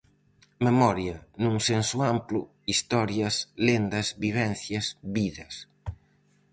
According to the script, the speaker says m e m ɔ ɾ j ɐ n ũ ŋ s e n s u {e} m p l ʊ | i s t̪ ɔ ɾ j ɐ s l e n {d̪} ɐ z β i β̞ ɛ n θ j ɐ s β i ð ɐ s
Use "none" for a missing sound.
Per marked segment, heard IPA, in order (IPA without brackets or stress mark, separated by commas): a, d̪